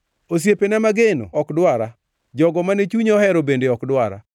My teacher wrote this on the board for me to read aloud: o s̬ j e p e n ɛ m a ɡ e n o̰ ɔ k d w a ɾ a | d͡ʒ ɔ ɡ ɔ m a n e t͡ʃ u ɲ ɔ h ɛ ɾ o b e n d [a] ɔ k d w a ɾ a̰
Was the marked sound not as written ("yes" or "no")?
yes